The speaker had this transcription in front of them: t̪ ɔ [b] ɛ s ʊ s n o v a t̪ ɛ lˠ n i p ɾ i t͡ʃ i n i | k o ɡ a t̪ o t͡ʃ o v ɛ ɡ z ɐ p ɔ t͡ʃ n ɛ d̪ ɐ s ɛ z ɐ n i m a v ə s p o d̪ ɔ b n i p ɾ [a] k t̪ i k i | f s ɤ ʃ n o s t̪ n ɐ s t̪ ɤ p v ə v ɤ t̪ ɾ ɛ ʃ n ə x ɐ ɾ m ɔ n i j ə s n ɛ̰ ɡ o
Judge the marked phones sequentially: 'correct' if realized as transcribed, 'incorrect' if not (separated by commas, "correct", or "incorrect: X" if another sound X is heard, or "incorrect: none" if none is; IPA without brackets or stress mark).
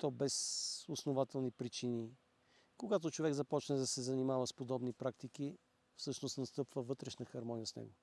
correct, correct